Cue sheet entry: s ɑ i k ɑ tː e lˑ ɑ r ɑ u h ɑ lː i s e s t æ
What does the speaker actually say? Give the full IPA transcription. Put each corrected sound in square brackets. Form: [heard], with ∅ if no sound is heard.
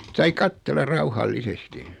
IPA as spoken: s ɑ i k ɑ tː e lˑ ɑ r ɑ u h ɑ lː i s e s t [i]